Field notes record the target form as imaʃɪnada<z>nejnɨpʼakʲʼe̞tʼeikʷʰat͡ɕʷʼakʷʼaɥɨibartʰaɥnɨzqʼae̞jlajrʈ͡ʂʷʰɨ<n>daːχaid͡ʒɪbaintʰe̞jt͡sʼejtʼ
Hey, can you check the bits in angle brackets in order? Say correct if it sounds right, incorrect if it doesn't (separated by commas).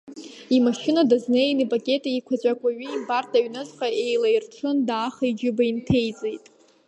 correct, correct